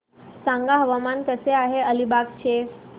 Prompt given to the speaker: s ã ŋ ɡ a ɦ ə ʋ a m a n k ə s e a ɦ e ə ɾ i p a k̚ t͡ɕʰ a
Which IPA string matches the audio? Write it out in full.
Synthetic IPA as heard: s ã ŋ ɡ a ɦ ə ʋ a m a n k ə s e a ɦ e ə l i b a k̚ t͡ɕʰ e